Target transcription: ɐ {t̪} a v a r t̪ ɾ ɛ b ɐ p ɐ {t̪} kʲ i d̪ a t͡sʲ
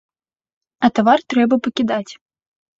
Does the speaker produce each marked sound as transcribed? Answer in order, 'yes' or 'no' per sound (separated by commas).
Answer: yes, no